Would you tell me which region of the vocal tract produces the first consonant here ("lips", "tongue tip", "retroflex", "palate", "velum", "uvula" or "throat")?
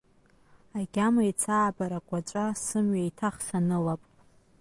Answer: velum